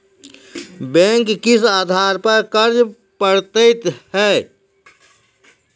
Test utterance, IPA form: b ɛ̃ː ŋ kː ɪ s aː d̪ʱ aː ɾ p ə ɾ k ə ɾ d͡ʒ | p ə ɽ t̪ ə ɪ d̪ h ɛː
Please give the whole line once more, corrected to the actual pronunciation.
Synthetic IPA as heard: b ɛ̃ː ŋ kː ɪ s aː d̪ʱ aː ɾ p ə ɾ k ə ɾ d͡ʒ | p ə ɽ t̪ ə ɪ t̪ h ɛː